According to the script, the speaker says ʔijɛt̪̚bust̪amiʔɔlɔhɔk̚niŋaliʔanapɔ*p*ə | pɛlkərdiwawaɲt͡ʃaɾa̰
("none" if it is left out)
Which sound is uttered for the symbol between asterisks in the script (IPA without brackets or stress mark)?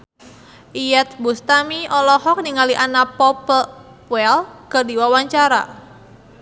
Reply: p